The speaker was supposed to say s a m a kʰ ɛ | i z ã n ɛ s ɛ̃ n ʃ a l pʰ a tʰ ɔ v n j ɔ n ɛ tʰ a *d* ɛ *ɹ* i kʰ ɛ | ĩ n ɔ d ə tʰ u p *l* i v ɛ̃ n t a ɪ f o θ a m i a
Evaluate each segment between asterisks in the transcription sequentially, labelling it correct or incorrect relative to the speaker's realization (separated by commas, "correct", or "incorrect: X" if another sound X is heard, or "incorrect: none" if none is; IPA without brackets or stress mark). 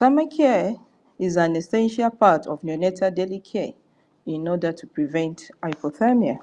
correct, incorrect: l, incorrect: ɹ